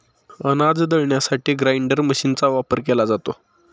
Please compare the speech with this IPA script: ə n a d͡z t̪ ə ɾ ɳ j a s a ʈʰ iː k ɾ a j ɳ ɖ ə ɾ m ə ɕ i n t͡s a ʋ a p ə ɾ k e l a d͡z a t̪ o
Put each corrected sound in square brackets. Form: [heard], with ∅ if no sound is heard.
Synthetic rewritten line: ə n a d͡z [d̪] ə [ɭ] ɳ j a s a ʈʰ iː [ɡ] ɾ a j ɳ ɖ ə ɾ m ə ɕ i n t͡s a ʋ a p ə ɾ k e l a d͡z a t̪ o